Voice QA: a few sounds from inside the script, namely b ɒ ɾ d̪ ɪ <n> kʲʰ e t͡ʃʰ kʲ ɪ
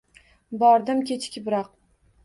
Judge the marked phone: incorrect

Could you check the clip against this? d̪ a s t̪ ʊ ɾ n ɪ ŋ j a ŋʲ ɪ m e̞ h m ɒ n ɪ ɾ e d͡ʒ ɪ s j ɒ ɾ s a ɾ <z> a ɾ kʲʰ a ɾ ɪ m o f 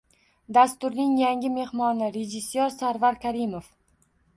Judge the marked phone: incorrect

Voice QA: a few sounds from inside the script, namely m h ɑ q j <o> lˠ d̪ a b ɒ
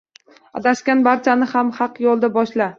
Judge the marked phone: incorrect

